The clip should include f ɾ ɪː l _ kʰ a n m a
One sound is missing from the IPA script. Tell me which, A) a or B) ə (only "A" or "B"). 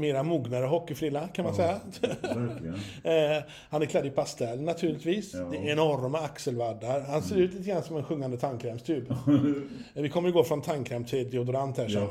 A